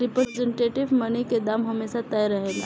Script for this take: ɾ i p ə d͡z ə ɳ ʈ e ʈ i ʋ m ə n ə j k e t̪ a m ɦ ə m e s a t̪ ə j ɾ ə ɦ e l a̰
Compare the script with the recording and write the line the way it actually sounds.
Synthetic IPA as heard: ɾ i p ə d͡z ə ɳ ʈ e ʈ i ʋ m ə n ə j k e d̪ a m ɦ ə m e s a t̪ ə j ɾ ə ɦ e l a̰